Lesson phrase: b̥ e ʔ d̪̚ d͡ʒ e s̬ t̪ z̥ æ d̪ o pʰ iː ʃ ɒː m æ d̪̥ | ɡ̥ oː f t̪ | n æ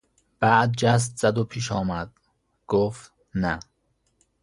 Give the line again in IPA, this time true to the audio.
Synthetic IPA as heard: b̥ æ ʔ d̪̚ d͡ʒ æ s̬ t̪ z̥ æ d̪ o pʰ iː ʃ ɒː m æ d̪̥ | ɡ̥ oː f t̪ | n æ

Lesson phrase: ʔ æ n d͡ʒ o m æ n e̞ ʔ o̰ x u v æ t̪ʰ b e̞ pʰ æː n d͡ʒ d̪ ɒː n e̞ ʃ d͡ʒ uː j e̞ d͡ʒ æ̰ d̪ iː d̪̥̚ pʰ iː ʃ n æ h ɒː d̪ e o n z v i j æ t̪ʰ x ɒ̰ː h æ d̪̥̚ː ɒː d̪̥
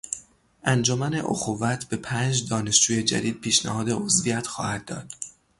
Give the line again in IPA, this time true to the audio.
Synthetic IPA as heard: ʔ æ n d͡ʒ o m æ n e̞ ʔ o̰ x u v æ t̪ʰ b e̞ pʰ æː n d͡ʒ d̪ ɒː n e̞ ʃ d͡ʒ uː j e̞ d͡ʒ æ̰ d̪ iː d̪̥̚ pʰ iː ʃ n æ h ɒː d̪ e o z v i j æ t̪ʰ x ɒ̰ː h æ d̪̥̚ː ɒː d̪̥

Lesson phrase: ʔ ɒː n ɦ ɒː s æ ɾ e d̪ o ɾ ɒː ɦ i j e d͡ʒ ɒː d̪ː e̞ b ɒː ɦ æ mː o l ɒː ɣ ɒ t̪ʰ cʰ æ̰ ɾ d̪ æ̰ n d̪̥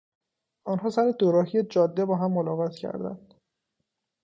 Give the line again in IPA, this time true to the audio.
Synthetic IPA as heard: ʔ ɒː n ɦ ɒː s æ ɾ e d̪ o ɾ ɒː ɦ i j e d͡ʒ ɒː d̪ː e̞ b ɒː ɦ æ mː o l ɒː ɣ ɒ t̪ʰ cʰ æ̰ ɾ d̪ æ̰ n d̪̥

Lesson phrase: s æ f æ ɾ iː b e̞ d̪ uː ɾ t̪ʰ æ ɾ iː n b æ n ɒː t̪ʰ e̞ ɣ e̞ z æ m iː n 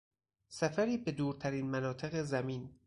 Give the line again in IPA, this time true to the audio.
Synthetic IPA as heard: s æ f æ ɾ iː b e̞ d̪ uː ɾ t̪ʰ æ ɾ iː n m æ n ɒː t̪ʰ e̞ ɣ e̞ z æ m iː n

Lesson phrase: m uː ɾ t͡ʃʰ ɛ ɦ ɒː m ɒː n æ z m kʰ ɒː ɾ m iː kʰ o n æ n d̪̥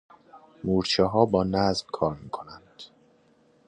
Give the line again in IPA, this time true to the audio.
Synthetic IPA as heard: m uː ɾ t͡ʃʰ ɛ ɦ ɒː b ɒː n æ z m kʰ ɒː ɾ m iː kʰ o n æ n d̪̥

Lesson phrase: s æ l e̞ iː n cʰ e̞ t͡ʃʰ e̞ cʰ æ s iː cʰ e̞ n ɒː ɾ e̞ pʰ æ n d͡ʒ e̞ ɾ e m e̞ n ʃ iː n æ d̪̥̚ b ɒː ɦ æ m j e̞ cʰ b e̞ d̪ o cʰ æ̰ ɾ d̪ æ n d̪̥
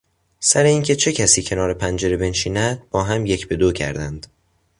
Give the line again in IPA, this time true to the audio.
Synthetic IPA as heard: s æ ɾ e̞ iː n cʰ e̞ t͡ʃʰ e̞ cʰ æ s iː cʰ e̞ n ɒː ɾ e̞ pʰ æ n d͡ʒ e̞ ɾ e b e̞ n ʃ iː n æ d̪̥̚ b ɒː ɦ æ m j e̞ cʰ b e̞ d̪ o cʰ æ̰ ɾ d̪ æ n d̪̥

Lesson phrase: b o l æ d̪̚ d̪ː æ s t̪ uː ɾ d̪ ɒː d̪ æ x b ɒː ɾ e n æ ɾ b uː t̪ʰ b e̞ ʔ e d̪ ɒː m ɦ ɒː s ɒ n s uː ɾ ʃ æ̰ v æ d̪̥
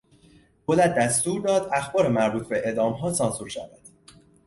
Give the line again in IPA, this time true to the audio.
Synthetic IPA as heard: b o l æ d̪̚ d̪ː æ s t̪ uː ɾ d̪ ɒː d̪ æ x b ɒː ɾ e m æ ɾ b uː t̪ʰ b e̞ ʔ e d̪ ɒː m ɦ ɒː s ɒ n s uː ɾ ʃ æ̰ v æ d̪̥

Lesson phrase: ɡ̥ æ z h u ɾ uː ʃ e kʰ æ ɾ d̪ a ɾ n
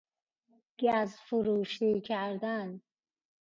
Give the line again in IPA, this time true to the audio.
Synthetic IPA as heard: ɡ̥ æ z f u ɾ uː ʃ i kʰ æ ɾ d̪ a n

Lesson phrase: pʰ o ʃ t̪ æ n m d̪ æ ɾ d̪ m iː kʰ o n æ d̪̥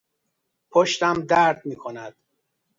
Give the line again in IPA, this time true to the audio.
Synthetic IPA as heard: pʰ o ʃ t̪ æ m d̪ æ ɾ d̪ m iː kʰ o n æ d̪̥

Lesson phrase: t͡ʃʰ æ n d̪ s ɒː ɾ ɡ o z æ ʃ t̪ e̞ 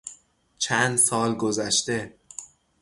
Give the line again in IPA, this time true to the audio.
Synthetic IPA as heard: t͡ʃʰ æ n d̪ s ɒː l ɡ o z æ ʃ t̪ e̞

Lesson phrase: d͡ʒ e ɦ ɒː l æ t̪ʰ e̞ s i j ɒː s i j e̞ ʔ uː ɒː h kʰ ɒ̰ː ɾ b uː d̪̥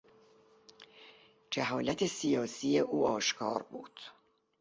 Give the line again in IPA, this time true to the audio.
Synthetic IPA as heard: d͡ʒ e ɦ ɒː l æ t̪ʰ e̞ s i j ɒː s i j e̞ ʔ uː ɒː ʃ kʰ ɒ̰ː ɾ b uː d̪̥

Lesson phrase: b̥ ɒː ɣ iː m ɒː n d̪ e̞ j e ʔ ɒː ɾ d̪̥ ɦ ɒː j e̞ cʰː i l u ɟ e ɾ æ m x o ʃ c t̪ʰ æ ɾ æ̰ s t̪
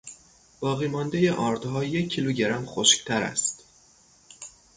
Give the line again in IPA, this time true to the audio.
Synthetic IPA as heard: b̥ ɒː ɣ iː m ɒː n d̪ e̞ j e ʔ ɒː ɾ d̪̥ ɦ ɒː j e̞ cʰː i l u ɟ e ɾ æ m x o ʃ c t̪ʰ æ ɾ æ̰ s t̪

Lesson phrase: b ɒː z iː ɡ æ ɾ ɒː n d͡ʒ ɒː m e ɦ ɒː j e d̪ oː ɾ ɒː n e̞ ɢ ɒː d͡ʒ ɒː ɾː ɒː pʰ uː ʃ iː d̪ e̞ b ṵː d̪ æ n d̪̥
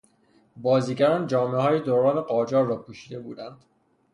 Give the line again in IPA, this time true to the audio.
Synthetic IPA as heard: b ɒː z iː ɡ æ ɾ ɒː n d͡ʒ ɒː m e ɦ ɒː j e d̪ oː ɾ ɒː n e̞ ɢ ɒː d͡ʒ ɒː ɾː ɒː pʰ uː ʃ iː d̪ e̞ b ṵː d̪ æ n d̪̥

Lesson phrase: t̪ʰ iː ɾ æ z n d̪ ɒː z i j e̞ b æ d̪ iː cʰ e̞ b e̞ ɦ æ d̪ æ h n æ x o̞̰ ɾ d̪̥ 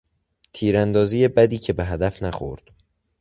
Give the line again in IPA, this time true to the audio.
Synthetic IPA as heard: t̪ʰ iː ɾ æ n d̪ ɒː z i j e̞ b æ d̪ iː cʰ e̞ b e̞ ɦ æ d̪ æ f n æ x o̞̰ ɾ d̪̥

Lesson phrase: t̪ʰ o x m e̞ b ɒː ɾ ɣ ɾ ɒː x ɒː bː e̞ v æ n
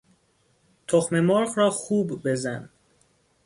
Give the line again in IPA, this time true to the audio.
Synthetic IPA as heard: t̪ʰ o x m e̞ m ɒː ɾ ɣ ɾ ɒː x uː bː e̞ z æ n

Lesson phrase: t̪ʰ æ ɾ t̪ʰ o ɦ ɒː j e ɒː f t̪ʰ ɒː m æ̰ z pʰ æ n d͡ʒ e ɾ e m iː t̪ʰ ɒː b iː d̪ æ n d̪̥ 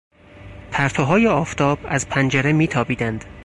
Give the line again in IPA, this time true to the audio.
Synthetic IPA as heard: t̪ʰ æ ɾ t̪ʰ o ɦ ɒː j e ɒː f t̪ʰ ɒː b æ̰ z pʰ æ n d͡ʒ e ɾ e m iː t̪ʰ ɒː b iː d̪ æ n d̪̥

